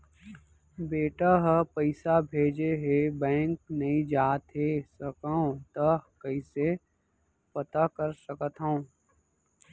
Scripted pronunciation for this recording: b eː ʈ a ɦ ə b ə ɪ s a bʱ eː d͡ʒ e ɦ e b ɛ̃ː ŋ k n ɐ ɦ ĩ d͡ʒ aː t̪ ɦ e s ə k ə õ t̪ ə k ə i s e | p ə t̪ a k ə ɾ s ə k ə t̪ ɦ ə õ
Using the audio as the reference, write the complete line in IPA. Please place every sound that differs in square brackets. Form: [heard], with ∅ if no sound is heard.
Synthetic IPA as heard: b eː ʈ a ɦ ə [p] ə ɪ s a bʱ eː d͡ʒ e ɦ e b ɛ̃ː ŋ k n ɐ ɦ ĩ d͡ʒ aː t̪ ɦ e s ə k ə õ t̪ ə k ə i s e | p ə t̪ a k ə ɾ s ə k ə t̪ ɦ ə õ